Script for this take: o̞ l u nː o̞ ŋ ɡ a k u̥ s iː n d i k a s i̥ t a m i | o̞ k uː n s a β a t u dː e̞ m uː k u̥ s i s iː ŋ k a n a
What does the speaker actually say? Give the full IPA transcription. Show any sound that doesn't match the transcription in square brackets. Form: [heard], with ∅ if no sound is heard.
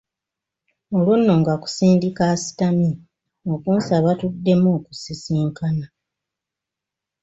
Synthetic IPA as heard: o̞ l u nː o̞ ŋ ɡ a k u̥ s iː n d i k a s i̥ t a m i | o̞ k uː n s a β a t u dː e̞ m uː k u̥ s i s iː ŋ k a n a